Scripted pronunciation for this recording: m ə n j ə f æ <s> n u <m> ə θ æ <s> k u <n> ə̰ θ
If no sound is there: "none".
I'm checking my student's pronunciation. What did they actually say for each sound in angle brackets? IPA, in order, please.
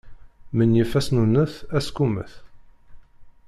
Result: s, n, s, m

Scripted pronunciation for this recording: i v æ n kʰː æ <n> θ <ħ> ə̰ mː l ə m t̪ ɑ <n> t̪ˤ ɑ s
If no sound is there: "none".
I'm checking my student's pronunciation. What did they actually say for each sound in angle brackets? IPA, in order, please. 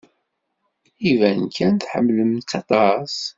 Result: n, ħ, none

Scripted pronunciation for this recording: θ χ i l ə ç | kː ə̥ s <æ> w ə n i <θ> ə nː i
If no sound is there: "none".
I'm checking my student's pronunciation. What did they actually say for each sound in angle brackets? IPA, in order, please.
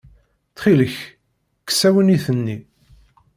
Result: æ, θ

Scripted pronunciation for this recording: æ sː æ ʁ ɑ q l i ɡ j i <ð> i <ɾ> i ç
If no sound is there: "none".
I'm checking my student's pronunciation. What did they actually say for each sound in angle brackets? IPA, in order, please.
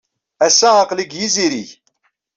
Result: z, ɾ

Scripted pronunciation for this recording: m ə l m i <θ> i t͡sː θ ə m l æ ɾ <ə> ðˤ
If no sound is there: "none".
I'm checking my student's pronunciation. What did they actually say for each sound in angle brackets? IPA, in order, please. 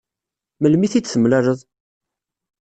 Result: θ, ə

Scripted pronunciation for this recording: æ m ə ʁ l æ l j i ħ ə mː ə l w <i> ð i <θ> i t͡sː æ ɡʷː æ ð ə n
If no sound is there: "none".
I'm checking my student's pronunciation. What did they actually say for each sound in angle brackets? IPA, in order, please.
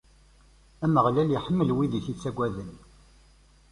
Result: i, θ

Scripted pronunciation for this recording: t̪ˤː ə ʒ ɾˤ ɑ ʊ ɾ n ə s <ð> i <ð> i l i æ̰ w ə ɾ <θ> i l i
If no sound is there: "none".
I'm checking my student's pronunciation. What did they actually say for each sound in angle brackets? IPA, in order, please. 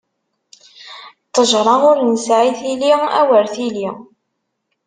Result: ʕ, θ, θ

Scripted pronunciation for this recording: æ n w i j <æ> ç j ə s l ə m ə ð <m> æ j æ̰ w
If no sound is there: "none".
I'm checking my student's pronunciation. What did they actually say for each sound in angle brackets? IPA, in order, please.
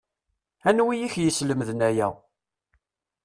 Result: i, n

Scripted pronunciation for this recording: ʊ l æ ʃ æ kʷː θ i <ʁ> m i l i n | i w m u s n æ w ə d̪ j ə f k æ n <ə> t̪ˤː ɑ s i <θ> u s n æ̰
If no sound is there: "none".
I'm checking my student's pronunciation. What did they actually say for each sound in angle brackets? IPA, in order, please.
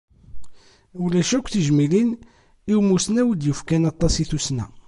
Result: ʒ, ɑ, θ

